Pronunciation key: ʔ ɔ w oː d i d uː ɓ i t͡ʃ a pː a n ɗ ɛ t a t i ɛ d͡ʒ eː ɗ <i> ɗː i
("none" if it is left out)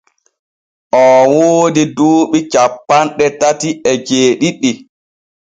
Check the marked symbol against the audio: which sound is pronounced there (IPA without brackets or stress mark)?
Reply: i